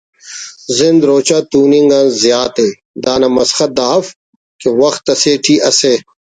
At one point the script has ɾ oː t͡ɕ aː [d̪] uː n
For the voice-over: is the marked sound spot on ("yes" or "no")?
no